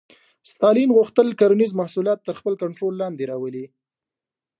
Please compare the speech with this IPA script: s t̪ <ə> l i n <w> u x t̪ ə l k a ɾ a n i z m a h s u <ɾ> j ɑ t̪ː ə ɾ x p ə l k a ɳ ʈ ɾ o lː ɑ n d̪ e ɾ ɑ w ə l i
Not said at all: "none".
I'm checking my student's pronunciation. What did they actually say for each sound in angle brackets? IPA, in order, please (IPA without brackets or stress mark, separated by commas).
ɑ, ɣ, l